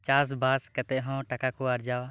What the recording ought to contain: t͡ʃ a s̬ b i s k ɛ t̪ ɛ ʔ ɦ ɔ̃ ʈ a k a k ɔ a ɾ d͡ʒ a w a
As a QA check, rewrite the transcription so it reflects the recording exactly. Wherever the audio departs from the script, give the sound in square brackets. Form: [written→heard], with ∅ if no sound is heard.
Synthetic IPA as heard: t͡ʃ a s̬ b [i→a] s k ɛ t̪ ɛ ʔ ɦ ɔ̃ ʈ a k a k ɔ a ɾ d͡ʒ a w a